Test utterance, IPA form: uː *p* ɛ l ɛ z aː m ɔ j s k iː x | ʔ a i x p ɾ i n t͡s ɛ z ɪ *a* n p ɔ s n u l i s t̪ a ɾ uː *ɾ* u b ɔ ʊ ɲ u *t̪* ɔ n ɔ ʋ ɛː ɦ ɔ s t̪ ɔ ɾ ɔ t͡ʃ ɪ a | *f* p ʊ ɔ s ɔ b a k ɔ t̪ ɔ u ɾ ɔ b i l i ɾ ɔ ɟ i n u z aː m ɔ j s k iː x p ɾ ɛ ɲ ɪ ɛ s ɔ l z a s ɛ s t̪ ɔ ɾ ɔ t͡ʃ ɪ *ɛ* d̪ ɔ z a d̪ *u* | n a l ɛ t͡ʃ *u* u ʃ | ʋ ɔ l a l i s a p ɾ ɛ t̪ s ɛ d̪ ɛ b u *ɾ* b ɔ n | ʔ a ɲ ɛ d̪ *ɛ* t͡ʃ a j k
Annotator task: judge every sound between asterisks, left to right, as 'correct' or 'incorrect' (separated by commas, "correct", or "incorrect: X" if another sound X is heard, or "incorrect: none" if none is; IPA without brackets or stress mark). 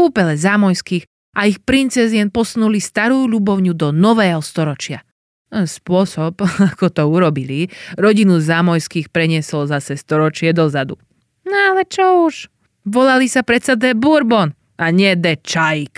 correct, incorrect: ɛ, incorrect: ʎ, incorrect: d̪, incorrect: s, correct, correct, incorrect: ɔ, correct, correct